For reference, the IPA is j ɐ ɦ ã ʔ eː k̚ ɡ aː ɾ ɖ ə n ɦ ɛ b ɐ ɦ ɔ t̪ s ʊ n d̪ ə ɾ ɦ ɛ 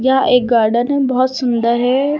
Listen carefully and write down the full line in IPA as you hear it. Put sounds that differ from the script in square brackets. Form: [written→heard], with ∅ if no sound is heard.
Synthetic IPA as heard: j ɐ ɦ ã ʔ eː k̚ ɡ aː ɾ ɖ ə n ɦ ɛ b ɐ ɦ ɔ t̪ s ʊ n d̪ ə ɾ ɦ ɛ